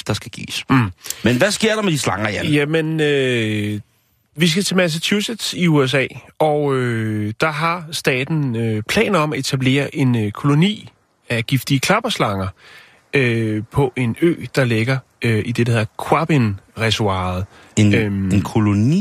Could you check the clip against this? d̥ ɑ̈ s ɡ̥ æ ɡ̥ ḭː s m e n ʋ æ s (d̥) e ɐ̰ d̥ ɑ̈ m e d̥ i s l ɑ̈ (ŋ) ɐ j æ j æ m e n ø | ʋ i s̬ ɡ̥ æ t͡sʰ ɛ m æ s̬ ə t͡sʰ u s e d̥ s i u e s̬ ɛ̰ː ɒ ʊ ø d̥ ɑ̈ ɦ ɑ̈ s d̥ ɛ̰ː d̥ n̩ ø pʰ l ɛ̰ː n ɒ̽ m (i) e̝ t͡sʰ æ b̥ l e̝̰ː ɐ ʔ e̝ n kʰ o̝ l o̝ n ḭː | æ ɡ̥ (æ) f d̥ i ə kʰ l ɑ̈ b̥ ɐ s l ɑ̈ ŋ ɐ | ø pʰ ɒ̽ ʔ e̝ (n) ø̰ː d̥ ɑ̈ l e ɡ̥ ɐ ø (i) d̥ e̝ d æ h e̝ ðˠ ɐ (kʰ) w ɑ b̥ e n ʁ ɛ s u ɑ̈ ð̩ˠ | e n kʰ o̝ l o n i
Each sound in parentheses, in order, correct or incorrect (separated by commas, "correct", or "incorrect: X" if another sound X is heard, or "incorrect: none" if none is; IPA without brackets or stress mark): incorrect: ɡ̥, correct, incorrect: æ, incorrect: i, correct, correct, correct